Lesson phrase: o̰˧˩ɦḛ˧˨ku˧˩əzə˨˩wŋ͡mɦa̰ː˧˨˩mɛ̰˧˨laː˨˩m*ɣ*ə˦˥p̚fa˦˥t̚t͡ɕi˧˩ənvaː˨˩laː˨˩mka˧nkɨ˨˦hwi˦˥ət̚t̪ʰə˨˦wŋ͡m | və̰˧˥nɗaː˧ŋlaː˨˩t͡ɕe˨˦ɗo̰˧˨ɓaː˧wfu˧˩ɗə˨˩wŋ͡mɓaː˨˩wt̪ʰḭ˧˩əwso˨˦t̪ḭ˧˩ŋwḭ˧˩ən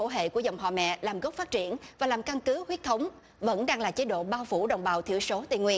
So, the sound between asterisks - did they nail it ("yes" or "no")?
yes